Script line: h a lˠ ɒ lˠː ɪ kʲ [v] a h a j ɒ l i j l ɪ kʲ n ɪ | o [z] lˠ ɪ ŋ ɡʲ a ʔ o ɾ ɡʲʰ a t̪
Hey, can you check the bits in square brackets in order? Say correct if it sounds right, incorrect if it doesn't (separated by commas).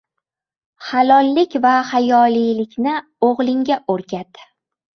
correct, incorrect